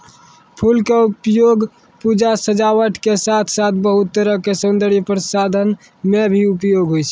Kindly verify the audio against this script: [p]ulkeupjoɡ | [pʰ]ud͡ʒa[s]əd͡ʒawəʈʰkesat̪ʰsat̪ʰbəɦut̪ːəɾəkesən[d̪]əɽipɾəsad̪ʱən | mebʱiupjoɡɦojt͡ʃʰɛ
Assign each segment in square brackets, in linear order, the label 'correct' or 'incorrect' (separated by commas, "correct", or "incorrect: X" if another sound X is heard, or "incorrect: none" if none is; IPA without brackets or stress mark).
incorrect: pʰ, incorrect: p, correct, correct